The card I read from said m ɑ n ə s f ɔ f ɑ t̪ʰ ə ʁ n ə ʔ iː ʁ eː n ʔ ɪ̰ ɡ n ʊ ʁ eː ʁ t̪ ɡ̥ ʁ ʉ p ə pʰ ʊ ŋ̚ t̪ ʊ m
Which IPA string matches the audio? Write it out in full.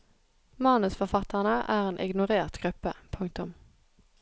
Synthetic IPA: m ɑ n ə s f ɔ f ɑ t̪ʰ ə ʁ n ə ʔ æː ʁ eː n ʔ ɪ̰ ɡ n ʊ ʁ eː ʁ t̪ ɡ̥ ʁ ʉ p ə pʰ ʊ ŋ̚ t̪ ʊ m